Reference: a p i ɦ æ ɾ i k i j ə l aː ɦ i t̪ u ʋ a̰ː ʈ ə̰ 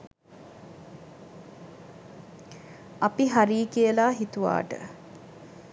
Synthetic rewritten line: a p i ɦ a ɾ iː k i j ə l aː ɦ i t̪ u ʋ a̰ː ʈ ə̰